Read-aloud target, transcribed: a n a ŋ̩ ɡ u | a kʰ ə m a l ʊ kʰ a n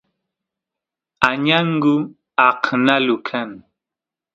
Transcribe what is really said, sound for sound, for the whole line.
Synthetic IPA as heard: a ɲ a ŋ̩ ɡ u | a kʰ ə n a l u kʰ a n